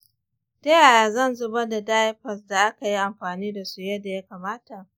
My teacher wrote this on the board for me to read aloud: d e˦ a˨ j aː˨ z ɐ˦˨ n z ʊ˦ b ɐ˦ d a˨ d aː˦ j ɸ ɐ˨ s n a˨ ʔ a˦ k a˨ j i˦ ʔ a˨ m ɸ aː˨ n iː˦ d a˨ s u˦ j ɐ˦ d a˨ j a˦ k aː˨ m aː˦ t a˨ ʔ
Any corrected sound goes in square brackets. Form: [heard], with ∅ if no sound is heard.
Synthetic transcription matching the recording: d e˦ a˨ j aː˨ z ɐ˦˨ n z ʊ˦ b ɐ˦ d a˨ d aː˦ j ɸ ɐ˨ s [d] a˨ ʔ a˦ k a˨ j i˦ ʔ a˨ m ɸ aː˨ n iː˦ d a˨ s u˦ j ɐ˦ d a˨ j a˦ k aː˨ m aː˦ t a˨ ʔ

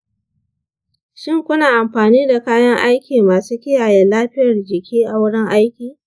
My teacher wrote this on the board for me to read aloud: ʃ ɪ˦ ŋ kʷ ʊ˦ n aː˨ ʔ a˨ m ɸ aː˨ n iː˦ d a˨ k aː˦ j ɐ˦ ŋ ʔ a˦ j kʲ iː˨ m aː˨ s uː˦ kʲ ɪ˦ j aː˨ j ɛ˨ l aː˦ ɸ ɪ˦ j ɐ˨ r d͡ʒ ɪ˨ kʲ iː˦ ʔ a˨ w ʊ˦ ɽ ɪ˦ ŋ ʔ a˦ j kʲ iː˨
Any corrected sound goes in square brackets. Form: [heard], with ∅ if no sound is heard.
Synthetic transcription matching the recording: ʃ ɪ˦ ŋ kʷ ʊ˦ n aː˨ ʔ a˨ m ɸ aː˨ n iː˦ d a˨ k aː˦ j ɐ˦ ŋ ʔ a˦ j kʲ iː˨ m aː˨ s uː˦ kʲ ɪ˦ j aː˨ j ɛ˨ l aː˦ ɸ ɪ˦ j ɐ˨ r d͡ʒ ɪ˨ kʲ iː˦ ʔ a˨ w ʊ˦ ɽ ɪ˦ ŋ ʔ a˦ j kʲ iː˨

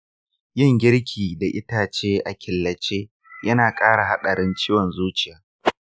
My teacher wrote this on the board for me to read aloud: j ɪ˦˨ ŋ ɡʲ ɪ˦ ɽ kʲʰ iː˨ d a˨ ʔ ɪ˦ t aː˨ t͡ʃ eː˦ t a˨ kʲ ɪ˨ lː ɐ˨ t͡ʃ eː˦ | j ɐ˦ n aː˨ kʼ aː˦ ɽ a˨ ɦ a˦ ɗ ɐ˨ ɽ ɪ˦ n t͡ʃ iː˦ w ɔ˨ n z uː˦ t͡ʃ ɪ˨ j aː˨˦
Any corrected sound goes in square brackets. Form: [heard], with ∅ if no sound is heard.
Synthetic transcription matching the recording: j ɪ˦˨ ŋ ɡʲ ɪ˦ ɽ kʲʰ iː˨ d a˨ ʔ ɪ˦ t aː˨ t͡ʃ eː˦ [ʔ] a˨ kʲ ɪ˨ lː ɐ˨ t͡ʃ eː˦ | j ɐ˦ n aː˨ kʼ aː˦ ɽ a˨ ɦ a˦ ɗ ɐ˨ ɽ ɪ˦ n t͡ʃ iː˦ w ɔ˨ n z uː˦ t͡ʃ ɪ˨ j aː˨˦

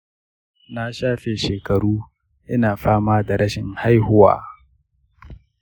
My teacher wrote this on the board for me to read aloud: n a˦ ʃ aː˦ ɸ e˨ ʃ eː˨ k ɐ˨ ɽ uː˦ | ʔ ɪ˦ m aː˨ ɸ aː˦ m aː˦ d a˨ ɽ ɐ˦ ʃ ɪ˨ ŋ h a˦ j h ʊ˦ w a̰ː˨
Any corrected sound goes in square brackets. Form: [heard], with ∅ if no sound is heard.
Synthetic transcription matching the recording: n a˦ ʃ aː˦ ɸ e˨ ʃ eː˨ k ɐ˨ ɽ uː˦ | ʔ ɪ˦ [n] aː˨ ɸ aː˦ m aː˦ d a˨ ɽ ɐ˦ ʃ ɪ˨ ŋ h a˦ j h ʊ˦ w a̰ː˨

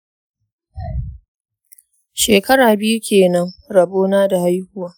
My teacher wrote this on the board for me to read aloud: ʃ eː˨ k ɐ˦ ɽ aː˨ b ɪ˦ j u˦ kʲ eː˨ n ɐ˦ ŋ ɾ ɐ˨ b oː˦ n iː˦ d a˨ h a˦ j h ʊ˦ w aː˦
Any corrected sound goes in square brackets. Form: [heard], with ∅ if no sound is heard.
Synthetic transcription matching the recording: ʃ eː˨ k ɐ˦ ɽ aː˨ b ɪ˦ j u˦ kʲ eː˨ n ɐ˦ ŋ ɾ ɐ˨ b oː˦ n [aː˦] d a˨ h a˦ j h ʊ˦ w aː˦

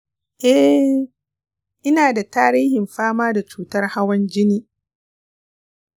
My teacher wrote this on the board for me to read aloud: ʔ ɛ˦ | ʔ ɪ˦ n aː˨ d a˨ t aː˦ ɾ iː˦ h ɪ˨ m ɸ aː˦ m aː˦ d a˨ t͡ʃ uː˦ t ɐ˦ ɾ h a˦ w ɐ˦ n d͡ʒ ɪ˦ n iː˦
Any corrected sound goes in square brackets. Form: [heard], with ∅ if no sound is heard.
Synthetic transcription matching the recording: ʔ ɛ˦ | ʔ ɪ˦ n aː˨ d a˨ t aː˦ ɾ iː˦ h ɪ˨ m ɸ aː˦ m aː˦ d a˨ t͡ʃ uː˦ t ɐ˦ [r] h a˦ w ɐ˦ n d͡ʒ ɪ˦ n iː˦

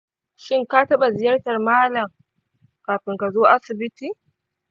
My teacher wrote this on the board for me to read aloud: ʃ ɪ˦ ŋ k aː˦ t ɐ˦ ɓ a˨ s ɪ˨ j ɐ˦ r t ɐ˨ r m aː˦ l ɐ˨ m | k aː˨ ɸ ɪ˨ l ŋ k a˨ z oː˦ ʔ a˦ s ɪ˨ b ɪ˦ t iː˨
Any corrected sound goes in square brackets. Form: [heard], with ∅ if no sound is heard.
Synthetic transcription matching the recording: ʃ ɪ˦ ŋ k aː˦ t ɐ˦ ɓ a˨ [z] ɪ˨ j ɐ˦ r t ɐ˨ r m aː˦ l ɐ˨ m | k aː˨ ɸ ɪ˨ [∅] ŋ k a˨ z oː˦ ʔ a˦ s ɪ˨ b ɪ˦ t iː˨

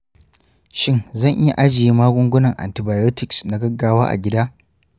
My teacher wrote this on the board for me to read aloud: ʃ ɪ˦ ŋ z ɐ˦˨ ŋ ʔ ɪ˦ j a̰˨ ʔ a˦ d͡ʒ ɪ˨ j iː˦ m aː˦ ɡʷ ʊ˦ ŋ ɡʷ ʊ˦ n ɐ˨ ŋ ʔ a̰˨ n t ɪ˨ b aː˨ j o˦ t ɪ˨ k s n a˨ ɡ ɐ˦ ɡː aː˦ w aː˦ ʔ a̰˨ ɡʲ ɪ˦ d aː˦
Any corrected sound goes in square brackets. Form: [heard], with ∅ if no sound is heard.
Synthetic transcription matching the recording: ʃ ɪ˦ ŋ z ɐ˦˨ ŋ ʔ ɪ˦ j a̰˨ ʔ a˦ d͡ʒ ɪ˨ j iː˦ m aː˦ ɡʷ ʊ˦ ŋ ɡʷ ʊ˦ n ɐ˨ ŋ ʔ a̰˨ n t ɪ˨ b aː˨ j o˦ t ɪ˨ k s n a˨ ɡ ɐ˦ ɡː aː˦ w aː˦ ʔ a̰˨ ɡʲ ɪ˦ d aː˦

